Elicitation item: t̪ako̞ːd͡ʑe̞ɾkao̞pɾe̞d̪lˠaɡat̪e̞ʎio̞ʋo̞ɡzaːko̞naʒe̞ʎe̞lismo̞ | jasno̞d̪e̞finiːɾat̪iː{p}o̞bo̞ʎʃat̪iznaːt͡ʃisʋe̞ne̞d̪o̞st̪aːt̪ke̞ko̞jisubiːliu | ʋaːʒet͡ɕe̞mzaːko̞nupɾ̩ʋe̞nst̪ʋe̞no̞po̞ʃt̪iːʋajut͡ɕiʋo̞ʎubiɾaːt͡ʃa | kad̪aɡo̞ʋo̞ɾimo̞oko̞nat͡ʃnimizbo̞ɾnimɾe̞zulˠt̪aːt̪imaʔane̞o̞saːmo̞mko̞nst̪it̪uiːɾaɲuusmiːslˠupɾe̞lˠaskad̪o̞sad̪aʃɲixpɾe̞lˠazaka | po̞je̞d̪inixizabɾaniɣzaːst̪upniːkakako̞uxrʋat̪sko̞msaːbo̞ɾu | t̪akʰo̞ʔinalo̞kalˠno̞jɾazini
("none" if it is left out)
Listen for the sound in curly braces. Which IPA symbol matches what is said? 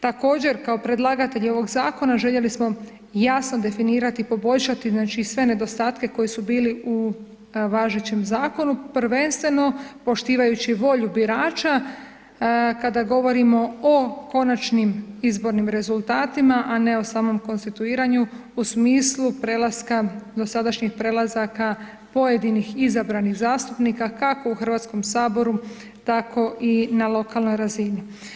p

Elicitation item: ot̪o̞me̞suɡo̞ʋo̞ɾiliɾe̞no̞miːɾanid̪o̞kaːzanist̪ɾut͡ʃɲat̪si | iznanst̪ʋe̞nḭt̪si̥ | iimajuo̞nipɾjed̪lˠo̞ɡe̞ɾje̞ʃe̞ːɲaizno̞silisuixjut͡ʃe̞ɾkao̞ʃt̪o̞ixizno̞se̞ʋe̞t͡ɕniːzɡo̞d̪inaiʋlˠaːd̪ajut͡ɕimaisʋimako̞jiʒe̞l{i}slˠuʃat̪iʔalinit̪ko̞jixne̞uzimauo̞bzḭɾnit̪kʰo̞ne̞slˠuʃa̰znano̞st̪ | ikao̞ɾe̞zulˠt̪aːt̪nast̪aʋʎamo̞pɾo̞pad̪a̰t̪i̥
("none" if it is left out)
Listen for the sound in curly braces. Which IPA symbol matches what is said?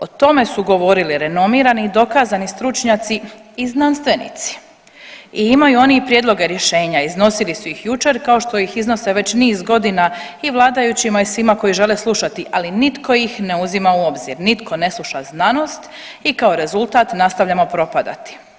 e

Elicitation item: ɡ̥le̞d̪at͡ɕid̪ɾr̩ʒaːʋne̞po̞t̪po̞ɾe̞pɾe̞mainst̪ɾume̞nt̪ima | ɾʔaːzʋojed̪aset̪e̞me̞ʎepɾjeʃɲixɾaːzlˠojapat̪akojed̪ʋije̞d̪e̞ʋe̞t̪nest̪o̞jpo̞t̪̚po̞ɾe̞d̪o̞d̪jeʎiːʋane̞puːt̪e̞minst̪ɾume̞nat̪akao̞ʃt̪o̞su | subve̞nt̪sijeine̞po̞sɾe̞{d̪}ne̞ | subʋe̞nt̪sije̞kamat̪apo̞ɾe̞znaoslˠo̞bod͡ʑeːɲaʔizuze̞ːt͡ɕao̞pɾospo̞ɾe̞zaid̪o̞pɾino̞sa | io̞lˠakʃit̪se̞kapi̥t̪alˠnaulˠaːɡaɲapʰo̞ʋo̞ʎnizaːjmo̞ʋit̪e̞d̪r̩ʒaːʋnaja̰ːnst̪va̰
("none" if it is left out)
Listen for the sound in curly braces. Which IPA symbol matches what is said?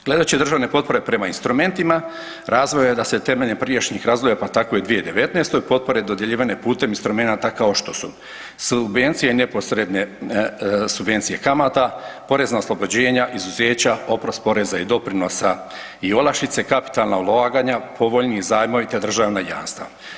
d̪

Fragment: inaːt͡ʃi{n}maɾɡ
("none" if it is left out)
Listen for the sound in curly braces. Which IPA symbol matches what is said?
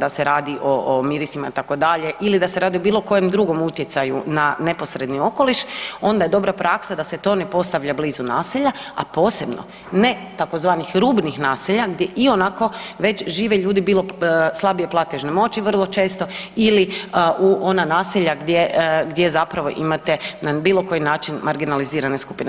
n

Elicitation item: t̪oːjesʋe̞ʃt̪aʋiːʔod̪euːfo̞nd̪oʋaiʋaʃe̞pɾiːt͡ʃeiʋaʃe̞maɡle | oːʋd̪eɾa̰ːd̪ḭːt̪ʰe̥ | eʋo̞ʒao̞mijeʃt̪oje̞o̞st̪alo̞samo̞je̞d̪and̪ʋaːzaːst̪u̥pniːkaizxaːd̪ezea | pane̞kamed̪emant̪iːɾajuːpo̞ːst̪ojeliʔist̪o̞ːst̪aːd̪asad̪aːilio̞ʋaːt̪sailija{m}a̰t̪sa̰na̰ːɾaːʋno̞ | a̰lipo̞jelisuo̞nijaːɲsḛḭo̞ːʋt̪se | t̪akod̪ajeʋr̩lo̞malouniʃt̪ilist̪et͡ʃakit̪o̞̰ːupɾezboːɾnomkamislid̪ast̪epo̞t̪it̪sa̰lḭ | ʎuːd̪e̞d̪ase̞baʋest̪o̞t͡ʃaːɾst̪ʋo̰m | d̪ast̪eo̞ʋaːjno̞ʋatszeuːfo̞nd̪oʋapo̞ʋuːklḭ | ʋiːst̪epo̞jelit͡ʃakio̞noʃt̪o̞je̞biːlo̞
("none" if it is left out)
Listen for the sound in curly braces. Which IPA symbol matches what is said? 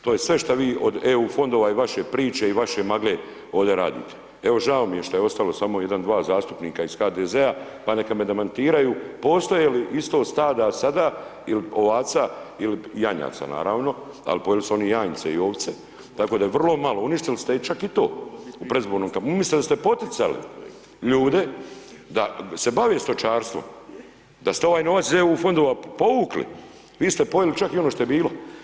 ɲ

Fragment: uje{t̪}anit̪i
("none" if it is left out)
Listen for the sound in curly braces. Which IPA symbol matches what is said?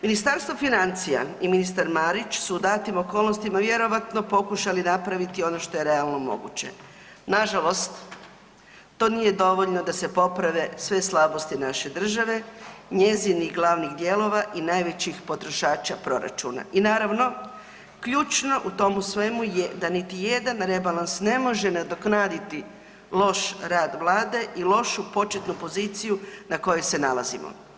d̪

